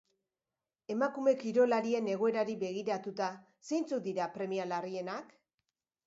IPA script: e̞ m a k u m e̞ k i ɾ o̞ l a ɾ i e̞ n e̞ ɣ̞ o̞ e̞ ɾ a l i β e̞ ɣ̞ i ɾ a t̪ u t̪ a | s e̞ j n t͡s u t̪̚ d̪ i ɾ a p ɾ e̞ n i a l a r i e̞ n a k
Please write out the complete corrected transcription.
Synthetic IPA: e̞ m a k u m e̞ k i ɾ o̞ l a ɾ i e̞ n e̞ ɣ̞ o̞ e̞ ɾ a ɾ i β e̞ ɣ̞ i ɾ a t̪ u t̪ a | s e̞ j n t͡s u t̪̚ d̪ i ɾ a p ɾ e̞ m i a l a r i e̞ n a k